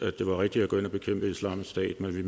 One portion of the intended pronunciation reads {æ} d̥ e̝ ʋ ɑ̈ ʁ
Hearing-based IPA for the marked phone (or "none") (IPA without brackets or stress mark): æ